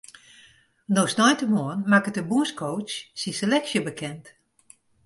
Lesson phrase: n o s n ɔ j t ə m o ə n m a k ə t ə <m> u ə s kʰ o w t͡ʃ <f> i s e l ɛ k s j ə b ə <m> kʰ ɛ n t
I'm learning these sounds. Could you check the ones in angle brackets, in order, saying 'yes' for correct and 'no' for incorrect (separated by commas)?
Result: no, no, no